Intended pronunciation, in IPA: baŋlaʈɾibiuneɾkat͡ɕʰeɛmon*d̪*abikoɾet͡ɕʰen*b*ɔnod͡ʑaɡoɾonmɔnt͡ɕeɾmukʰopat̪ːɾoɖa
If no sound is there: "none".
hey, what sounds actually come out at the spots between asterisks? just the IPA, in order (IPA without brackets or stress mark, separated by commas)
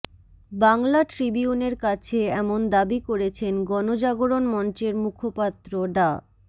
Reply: d̪, ɡ